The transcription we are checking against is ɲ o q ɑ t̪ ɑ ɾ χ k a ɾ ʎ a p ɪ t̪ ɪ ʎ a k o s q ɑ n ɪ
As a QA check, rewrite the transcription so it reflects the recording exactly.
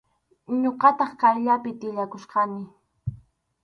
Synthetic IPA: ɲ o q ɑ t̪ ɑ χ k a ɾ ʎ a p ɪ t̪ ɪ ʎ a k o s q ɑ n ɪ